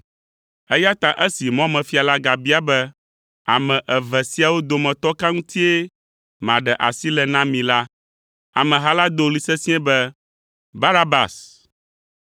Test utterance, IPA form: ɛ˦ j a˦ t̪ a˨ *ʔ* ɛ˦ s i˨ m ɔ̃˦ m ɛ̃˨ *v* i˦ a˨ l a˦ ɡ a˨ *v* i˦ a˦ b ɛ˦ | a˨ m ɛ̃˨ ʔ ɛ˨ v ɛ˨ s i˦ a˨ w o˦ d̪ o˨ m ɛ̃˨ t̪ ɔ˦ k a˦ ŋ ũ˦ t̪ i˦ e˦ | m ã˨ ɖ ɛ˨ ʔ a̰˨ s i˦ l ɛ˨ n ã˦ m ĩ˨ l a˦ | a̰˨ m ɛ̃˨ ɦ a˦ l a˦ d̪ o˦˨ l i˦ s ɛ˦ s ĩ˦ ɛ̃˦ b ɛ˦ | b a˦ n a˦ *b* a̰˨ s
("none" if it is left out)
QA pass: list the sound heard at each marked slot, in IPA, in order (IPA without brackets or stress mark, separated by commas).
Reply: ʔ, f, b, b